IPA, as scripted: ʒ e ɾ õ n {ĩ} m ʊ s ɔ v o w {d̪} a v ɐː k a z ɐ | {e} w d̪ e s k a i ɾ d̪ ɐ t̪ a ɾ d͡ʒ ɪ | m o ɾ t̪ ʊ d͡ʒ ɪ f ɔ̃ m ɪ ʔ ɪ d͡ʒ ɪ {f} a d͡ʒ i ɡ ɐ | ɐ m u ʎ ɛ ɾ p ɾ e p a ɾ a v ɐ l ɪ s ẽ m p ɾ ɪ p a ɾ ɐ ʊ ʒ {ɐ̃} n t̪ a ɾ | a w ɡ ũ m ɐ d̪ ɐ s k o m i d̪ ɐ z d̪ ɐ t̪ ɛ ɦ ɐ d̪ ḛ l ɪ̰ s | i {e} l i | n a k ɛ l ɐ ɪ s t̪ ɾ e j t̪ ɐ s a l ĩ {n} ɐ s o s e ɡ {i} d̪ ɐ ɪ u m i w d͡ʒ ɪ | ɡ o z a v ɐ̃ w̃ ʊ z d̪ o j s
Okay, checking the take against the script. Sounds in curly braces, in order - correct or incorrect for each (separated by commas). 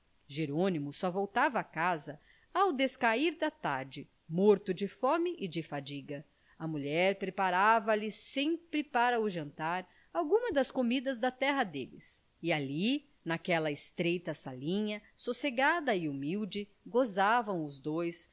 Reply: incorrect, incorrect, incorrect, correct, correct, incorrect, incorrect, incorrect